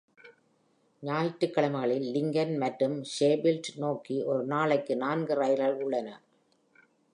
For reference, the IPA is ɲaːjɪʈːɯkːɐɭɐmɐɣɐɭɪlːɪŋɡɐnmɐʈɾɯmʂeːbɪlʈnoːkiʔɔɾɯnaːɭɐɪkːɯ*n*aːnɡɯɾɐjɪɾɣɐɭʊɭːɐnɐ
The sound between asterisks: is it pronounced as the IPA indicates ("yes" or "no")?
yes